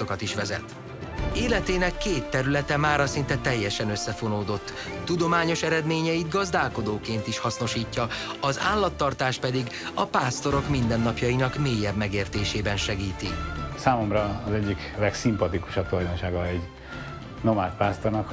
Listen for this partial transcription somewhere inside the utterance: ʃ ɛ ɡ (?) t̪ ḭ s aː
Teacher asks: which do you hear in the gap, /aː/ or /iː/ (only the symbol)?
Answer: iː